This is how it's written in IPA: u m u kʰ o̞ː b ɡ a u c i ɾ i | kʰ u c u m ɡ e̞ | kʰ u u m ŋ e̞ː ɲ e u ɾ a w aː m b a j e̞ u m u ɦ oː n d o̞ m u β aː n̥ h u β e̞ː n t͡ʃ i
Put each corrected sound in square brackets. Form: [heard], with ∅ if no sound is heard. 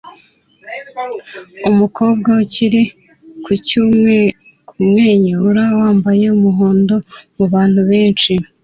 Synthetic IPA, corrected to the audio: u m u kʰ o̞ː b ɡ a u c i ɾ i | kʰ u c u m [ŋ] e̞ | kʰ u u m ŋ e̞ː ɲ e u ɾ a w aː m b a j e̞ u m u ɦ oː n d o̞ m u β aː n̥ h u β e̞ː n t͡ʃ i